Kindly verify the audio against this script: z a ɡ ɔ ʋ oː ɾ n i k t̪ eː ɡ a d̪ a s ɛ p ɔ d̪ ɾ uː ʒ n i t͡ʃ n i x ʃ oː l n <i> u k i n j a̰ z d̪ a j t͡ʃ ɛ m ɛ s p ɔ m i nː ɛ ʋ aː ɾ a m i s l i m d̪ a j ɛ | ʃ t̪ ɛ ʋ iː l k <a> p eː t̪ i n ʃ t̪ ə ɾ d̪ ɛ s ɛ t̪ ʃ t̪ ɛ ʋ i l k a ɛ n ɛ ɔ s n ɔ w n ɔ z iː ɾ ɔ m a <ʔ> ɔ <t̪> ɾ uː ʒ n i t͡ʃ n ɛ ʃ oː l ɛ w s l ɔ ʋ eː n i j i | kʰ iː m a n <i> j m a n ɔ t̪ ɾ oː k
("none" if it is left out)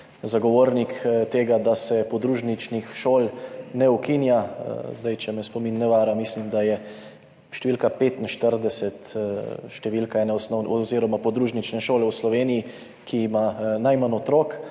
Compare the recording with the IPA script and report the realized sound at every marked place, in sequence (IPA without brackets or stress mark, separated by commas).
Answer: ɛ, a, p, d̪, a